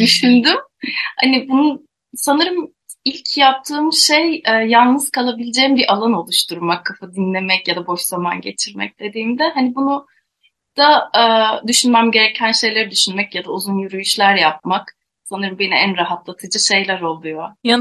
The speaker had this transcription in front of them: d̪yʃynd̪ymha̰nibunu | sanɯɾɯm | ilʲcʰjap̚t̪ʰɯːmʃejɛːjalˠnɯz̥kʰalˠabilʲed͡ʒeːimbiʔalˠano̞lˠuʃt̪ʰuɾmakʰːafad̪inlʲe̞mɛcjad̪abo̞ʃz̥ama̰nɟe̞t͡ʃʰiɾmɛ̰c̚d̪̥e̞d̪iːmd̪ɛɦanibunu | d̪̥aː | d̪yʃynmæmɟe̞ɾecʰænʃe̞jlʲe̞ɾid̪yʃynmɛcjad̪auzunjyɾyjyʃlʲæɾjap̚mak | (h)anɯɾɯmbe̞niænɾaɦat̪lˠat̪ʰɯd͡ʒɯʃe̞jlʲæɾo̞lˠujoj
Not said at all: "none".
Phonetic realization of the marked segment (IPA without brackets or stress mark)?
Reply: s